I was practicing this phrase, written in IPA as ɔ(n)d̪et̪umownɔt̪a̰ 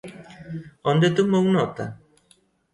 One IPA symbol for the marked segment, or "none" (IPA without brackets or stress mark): n